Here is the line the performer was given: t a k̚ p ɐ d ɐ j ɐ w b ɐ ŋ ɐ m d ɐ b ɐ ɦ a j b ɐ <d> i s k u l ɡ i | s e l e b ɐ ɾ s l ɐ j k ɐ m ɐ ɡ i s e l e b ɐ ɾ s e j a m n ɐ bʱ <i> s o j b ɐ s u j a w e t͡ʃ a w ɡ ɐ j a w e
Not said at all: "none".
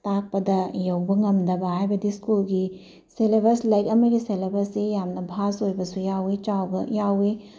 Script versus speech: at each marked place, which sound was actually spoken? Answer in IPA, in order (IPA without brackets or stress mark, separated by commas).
d, a